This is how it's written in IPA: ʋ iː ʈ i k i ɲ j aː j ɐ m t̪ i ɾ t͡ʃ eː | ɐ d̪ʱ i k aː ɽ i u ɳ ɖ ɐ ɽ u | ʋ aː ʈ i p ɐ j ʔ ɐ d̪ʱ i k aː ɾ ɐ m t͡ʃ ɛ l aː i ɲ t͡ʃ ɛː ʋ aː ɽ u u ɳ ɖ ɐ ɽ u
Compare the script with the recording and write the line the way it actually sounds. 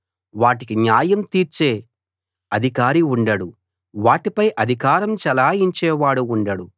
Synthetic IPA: ʋ aː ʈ i k i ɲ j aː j ɐ m t̪ iː ɾ t͡ʃ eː | ɐ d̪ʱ i k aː ɾ i u ɳ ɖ ɐ ɽ u | ʋ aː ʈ i p ɐ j ʔ ɐ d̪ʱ i k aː ɾ ɐ m t͡ʃ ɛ l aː i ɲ t͡ʃ ɛː ʋ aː ɽ u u ɳ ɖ ɐ ɽ u